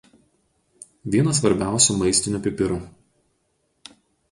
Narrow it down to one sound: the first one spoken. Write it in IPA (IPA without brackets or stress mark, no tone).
ʋʲ